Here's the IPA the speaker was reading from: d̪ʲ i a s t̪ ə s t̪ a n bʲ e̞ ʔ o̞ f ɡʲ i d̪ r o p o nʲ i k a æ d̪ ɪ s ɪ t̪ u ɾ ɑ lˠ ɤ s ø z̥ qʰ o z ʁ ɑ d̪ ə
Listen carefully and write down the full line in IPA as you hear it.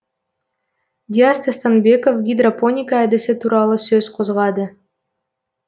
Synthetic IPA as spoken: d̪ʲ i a s t̪ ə s t̪ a n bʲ e̞ k o̞ f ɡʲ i d̪ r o p o nʲ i k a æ d̪ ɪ s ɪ t̪ u ɾ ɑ lˠ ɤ s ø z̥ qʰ o z ʁ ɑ d̪ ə